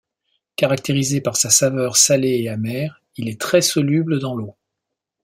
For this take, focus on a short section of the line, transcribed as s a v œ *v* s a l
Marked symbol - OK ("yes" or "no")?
no